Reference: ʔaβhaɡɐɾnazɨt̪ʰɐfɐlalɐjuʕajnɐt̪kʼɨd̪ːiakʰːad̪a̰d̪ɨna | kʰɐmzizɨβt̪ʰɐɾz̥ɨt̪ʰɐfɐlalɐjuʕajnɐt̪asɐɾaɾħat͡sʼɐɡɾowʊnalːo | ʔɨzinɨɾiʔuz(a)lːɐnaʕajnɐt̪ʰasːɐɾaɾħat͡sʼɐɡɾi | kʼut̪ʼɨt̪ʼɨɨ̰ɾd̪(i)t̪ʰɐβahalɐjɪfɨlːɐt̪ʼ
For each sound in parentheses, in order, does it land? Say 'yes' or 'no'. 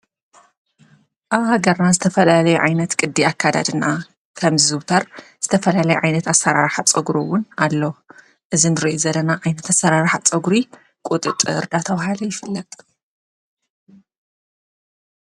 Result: no, no

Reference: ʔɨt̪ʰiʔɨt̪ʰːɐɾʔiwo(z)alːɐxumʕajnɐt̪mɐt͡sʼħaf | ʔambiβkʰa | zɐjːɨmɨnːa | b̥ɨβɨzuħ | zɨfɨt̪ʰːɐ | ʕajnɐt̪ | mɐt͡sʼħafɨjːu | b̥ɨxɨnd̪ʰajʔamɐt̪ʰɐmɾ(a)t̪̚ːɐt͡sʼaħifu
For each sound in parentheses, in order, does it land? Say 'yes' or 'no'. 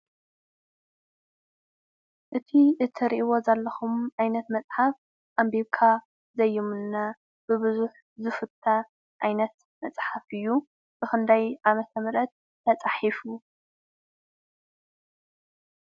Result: yes, no

